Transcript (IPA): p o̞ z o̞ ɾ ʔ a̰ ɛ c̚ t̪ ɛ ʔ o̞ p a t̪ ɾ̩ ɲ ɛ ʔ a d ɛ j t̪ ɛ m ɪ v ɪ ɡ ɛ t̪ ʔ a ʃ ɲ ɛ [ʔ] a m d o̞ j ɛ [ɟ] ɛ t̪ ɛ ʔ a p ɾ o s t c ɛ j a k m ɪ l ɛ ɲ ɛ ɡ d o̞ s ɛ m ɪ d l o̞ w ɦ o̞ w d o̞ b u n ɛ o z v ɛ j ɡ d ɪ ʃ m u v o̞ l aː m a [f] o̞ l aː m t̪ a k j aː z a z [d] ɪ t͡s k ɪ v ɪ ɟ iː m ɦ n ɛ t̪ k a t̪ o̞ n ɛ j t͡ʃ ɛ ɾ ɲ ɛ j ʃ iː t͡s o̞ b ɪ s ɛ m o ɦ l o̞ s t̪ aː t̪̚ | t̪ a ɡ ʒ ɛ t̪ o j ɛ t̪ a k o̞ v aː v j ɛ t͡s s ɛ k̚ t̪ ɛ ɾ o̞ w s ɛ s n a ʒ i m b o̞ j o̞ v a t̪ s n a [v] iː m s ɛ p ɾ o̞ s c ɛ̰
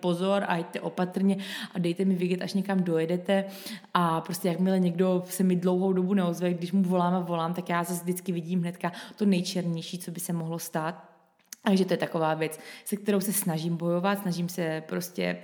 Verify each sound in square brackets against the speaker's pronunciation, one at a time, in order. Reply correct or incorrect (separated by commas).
incorrect, incorrect, incorrect, correct, incorrect